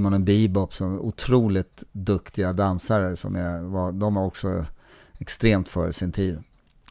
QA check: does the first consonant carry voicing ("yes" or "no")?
yes